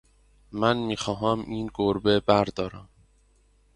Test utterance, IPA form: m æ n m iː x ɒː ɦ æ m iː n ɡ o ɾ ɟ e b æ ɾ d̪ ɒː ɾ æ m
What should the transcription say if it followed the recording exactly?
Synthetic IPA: m æ n m iː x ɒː ɦ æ m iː n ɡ o ɾ b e b æ ɾ d̪ ɒː ɾ æ m